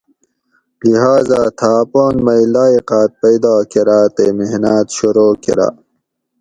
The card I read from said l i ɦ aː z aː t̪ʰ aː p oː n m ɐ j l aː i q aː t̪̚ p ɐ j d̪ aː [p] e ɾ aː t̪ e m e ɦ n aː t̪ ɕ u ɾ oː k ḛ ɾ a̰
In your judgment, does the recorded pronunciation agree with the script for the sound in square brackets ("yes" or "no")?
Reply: no